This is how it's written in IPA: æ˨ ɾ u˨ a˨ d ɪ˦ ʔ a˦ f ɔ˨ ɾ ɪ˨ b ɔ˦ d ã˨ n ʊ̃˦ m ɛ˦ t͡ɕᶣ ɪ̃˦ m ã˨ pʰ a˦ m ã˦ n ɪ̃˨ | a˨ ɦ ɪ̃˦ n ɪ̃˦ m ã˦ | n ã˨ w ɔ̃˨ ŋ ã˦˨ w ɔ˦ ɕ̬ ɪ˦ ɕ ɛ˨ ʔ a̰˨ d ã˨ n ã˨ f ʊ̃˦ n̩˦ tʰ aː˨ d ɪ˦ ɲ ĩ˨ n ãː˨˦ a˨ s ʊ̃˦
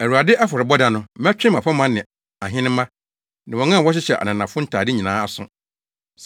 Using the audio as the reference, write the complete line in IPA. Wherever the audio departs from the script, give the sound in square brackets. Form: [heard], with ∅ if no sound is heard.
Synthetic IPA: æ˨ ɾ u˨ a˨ d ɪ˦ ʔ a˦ f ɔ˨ ɾ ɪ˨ b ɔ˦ d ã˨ n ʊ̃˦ m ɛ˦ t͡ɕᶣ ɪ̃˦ m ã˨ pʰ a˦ m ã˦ n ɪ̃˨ | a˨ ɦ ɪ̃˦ n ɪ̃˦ m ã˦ | n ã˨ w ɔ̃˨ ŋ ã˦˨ w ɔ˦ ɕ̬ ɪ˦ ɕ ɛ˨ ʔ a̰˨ [n] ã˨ n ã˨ f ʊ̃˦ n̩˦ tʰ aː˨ d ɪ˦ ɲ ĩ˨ n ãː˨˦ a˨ s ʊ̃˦